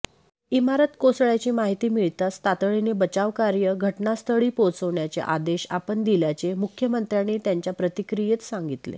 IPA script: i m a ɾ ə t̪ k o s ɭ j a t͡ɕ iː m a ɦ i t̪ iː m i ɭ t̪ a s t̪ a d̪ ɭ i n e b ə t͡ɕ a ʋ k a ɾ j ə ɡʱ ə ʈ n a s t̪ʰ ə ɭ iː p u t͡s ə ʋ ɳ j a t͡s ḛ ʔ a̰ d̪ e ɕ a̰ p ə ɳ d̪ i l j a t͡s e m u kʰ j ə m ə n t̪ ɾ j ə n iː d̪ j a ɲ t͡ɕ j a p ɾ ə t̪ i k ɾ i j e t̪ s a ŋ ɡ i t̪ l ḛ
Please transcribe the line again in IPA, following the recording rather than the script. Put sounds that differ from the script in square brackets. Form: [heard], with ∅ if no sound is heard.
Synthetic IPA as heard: i m a ɾ ə t̪ k o s ɭ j a t͡ɕ iː m a ɦ i t̪ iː m i ɭ t̪ a s t̪ a [t̪] ɭ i n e b ə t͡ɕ a ʋ k a ɾ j ə ɡʱ ə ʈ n a s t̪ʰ ə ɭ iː p [o] t͡s ə ʋ ɳ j a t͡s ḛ ʔ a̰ d̪ e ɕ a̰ p ə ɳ d̪ i l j a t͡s e m u kʰ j ə m ə n t̪ ɾ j [a] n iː [t̪] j a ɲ t͡ɕ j a p ɾ ə t̪ i k ɾ i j e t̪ s a ŋ ɡ i t̪ l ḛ